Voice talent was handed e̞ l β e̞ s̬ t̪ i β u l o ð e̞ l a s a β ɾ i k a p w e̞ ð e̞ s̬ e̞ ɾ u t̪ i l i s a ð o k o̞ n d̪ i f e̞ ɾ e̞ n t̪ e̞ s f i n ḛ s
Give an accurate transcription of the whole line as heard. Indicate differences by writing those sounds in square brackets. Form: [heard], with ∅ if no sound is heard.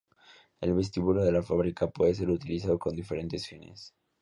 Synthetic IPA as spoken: e̞ l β e̞ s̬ t̪ i β u l o ð e̞ l a [f] a β ɾ i k a p w e̞ ð e̞ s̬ e̞ ɾ u t̪ i l i s a ð o k o̞ n d̪ i f e̞ ɾ e̞ n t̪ e̞ s f i n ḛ s